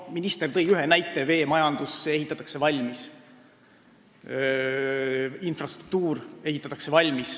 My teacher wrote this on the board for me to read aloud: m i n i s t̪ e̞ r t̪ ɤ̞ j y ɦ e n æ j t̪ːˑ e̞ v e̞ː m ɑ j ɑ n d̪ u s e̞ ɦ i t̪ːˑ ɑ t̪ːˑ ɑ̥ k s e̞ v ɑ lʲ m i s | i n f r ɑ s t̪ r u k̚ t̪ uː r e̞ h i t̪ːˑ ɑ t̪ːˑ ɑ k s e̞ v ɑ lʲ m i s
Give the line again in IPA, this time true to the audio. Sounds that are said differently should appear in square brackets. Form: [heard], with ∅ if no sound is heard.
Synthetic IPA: m i n i s t̪ e̞ r t̪ ɤ̞ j y ɦ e n æ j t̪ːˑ e̞ v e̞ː m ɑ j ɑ n d̪ u s e̞ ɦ i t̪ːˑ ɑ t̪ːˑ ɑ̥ k s e̞ v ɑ lʲ m i s | i n f r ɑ s t̪ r u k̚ t̪ uː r e̞ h i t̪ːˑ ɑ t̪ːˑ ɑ k s e̞ v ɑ lʲ m i s